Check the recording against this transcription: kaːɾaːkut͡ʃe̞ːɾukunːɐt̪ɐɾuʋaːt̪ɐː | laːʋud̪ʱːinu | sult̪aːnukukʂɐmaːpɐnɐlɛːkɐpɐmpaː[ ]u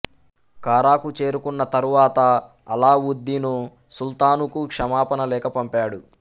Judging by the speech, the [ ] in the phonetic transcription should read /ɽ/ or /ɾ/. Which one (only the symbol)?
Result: ɽ